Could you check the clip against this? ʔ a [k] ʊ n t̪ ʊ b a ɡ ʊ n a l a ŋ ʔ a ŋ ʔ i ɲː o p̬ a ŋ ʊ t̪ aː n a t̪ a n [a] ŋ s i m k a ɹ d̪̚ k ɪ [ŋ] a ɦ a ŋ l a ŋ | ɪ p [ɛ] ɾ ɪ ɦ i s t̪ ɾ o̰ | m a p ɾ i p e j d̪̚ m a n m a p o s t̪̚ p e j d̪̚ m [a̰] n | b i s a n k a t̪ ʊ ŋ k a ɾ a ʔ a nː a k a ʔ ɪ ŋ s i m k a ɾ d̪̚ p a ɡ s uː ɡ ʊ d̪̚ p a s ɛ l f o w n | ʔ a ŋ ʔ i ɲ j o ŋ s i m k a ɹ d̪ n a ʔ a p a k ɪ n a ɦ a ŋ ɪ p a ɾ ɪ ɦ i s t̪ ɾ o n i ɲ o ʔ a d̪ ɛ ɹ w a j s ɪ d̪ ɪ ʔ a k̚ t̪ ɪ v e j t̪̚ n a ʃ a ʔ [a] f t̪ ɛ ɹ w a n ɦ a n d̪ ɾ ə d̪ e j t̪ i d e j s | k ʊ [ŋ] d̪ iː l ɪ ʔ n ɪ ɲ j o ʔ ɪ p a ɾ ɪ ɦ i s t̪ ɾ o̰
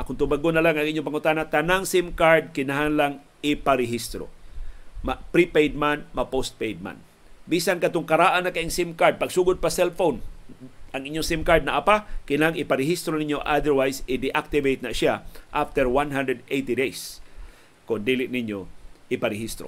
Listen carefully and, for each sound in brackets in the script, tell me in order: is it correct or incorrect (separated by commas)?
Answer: correct, correct, incorrect, incorrect, correct, correct, incorrect